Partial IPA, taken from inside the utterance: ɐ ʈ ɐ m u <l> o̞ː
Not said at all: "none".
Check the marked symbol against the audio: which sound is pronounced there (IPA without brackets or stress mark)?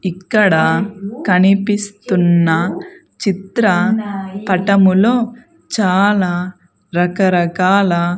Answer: l